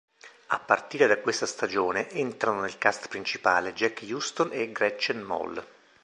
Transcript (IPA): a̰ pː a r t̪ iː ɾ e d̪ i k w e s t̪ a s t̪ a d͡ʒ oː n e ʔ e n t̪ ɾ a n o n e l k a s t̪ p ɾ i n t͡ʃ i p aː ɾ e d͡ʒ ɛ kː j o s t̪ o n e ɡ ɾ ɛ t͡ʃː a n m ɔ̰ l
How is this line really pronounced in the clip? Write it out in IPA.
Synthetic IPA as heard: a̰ pː a r t̪ iː ɾ e d̪ a k w e s t̪ a s t̪ a d͡ʒ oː n e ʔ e n t̪ ɾ a n o n e l k a s t̪ p ɾ i n t͡ʃ i p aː l e d͡ʒ ɛ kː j u s t̪ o n e ɡ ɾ ɛ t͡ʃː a n m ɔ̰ l